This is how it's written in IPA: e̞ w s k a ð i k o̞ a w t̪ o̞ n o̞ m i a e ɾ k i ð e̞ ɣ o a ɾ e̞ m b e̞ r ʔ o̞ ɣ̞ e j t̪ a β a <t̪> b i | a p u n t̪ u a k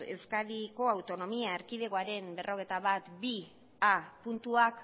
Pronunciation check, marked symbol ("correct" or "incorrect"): correct